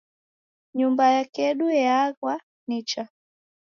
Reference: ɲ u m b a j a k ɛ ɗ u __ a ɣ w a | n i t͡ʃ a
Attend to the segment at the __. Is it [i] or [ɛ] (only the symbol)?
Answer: ɛ